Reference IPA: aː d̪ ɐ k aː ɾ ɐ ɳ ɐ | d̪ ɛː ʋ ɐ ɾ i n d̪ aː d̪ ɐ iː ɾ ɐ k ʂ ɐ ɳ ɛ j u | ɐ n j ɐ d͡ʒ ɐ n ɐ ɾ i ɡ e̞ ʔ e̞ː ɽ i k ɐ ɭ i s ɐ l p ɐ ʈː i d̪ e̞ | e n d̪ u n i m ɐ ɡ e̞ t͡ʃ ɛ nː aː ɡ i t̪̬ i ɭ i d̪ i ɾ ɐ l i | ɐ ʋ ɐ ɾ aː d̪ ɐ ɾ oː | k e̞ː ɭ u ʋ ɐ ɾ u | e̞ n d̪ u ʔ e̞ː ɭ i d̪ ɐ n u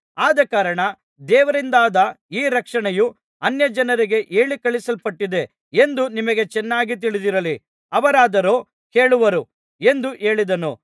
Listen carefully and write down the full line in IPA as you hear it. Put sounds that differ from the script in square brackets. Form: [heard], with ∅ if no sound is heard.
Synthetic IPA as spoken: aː d̪ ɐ k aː ɾ ɐ ɳ ɐ | d̪ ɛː ʋ ɐ ɾ i n d̪ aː d̪ ɐ iː ɾ ɐ k ʂ ɐ ɳ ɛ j u | ɐ n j ɐ d͡ʒ ɐ n ɐ ɾ i ɡ e̞ ʔ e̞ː [ɭ] i k ɐ ɭ i s ɐ l p ɐ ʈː i d̪ e̞ | e n d̪ u n i m ɐ ɡ e̞ t͡ʃ ɛ nː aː ɡ i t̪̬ i ɭ i d̪ i ɾ ɐ l i | ɐ ʋ ɐ ɾ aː d̪ ɐ ɾ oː | k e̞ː ɭ u ʋ ɐ ɾ u | e̞ n d̪ u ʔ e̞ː ɭ i d̪ ɐ n u

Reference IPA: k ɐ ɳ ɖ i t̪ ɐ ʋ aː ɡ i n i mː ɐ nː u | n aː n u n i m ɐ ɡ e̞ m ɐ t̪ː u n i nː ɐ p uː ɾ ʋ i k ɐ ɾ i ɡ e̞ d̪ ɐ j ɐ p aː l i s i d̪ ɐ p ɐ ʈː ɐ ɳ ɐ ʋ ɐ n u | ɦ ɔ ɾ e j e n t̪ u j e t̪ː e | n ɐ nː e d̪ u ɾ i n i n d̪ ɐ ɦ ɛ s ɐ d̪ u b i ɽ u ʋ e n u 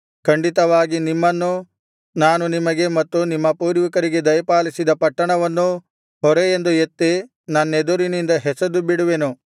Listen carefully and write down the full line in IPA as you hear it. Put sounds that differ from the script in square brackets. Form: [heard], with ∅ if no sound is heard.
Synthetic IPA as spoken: k ɐ ɳ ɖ i t̪ ɐ ʋ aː ɡ i n i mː ɐ nː u | n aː n u n i m ɐ ɡ e̞ m ɐ t̪ː u n i [mː] ɐ p uː ɾ ʋ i k ɐ ɾ i ɡ e̞ d̪ ɐ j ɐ p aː l i s i d̪ ɐ p ɐ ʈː ɐ ɳ ɐ ʋ ɐ [nː] u | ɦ ɔ ɾ e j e n [d̪] u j e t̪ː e | n ɐ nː e d̪ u ɾ i n i n d̪ ɐ ɦ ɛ s ɐ d̪ u b i ɽ u ʋ e n u

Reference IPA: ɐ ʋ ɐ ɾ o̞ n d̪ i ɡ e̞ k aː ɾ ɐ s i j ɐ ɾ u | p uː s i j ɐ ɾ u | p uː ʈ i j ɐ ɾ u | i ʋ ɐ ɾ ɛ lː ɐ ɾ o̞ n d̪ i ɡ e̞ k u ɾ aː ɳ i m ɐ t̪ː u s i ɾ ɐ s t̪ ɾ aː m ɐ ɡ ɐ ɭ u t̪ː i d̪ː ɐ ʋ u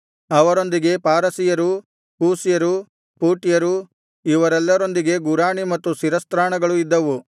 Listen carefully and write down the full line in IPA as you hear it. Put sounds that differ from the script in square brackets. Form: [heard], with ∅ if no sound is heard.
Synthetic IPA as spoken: ɐ ʋ ɐ ɾ o̞ n d̪ i ɡ e̞ [p] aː ɾ ɐ s i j ɐ ɾ u | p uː s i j ɐ ɾ u | p uː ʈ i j ɐ ɾ u | i ʋ ɐ ɾ ɛ lː ɐ ɾ o̞ n d̪ i ɡ e̞ [ɡ] u ɾ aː ɳ i m ɐ t̪ː u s i ɾ ɐ s t̪ ɾ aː [ɳ] ɐ ɡ ɐ ɭ u [∅] i d̪ː ɐ ʋ u

